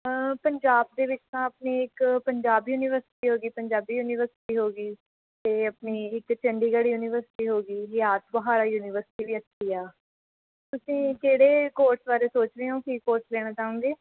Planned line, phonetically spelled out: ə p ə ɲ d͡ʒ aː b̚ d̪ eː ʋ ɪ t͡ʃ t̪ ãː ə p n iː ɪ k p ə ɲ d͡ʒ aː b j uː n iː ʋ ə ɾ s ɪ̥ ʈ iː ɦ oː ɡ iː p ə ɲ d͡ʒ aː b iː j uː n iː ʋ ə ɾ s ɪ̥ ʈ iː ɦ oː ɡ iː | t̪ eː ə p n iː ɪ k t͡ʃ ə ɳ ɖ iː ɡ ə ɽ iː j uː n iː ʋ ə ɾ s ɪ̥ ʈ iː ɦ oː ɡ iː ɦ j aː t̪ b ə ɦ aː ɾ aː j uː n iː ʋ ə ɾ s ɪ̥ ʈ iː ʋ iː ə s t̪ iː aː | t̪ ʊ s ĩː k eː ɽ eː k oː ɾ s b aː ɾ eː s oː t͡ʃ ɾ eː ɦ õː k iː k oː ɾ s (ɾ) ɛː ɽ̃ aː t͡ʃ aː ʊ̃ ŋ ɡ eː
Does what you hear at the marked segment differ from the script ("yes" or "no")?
yes